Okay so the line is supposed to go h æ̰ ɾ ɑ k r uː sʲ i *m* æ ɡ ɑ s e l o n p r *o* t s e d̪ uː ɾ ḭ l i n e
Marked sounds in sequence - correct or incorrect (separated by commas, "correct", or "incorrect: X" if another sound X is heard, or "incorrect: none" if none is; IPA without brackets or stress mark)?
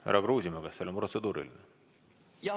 correct, correct